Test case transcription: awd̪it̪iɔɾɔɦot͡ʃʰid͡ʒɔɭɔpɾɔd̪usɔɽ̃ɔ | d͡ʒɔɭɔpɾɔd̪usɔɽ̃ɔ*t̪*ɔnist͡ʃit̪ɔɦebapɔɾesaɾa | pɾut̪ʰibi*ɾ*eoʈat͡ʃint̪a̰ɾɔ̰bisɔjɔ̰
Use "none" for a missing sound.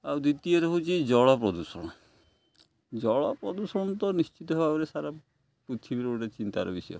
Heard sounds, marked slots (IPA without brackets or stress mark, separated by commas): t̪, ɾ